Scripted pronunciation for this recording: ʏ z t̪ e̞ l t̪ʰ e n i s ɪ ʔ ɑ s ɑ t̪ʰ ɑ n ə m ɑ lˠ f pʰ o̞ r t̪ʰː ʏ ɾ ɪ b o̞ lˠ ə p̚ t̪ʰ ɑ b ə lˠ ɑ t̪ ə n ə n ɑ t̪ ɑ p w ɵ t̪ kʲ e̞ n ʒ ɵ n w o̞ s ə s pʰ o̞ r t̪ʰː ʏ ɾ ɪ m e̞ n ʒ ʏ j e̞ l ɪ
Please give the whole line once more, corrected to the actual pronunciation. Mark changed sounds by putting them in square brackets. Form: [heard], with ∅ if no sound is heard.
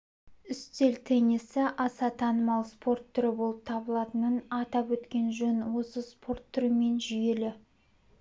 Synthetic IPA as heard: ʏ [s] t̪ e̞ l t̪ʰ e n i s ɪ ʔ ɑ s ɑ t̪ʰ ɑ n ə m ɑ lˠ [s] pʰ o̞ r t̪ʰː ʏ ɾ ɪ b o̞ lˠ ə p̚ t̪ʰ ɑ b ə lˠ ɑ t̪ ə n ə n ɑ t̪ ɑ p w ɵ t̪ kʲ e̞ n ʒ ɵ n w o̞ s ə s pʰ o̞ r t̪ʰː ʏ ɾ ɪ m e̞ n ʒ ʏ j e̞ l ɪ